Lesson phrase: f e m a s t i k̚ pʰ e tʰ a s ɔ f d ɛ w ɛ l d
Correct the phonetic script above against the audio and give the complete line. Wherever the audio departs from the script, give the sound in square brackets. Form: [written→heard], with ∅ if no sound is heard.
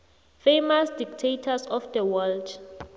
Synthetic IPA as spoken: f e m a s [t→d] i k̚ [pʰ→tʰ] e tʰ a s ɔ f d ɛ w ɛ l d